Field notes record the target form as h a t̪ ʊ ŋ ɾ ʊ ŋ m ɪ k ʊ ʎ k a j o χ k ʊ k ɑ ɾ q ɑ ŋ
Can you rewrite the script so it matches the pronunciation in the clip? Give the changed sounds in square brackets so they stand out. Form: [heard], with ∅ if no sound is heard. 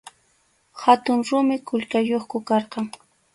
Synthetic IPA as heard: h a t̪ ʊ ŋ ɾ ʊ [∅] m ɪ k ʊ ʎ k a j o χ k ʊ k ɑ ɾ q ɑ ŋ

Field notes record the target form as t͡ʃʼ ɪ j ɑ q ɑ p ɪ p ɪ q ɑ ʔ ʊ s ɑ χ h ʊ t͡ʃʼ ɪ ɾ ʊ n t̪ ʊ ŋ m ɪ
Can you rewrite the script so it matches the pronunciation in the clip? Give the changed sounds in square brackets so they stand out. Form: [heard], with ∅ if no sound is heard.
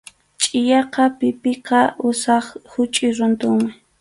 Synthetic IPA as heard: t͡ʃʼ ɪ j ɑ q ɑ p ɪ p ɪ q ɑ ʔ ʊ s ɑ χ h ʊ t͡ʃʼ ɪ ɾ ʊ n t̪ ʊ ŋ m ɪ

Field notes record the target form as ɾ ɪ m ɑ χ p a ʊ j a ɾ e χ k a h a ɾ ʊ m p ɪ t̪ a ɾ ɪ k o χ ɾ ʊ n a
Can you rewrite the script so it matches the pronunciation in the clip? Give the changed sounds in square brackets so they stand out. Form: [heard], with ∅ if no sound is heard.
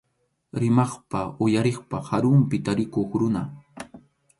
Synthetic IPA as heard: ɾ ɪ m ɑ χ p a ʊ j a ɾ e χ [p] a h a ɾ ʊ m p ɪ t̪ a ɾ ɪ k o χ ɾ ʊ n a

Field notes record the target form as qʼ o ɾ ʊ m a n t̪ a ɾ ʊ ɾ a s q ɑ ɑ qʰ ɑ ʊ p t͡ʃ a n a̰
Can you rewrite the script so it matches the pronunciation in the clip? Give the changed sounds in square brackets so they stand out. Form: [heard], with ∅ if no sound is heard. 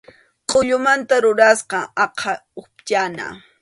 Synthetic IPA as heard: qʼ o [ʎ] ʊ m a n t̪ a ɾ ʊ ɾ a s q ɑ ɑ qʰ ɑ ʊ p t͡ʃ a n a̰

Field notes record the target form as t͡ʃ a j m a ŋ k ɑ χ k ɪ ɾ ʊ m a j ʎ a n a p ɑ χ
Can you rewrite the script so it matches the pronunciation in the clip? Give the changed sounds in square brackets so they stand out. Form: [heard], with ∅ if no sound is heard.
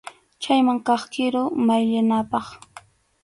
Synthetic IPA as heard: t͡ʃ a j m a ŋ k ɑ χ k ɪ ɾ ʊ m a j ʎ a n a p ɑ χ

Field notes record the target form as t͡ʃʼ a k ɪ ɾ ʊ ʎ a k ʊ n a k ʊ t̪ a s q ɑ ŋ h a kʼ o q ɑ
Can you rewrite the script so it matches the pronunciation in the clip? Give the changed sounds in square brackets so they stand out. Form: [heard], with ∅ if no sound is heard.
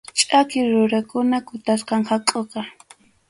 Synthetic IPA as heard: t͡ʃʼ a k ɪ ɾ ʊ [ɾ] a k ʊ n a k ʊ t̪ a s q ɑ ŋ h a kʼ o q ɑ

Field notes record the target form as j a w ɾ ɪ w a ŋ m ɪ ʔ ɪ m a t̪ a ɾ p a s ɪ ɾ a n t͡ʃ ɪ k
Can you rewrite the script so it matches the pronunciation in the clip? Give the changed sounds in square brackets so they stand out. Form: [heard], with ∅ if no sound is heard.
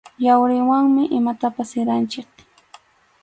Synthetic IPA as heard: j a w ɾ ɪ w a ŋ m ɪ ʔ ɪ m a t̪ a [∅] p a s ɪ ɾ a n t͡ʃ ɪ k

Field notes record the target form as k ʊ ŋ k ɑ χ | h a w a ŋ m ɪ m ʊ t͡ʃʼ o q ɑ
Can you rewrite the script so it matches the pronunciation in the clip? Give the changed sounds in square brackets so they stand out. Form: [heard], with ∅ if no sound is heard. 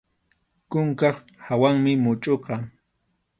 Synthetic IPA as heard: k ʊ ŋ k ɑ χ | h a w a ŋ m ɪ m ʊ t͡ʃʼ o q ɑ

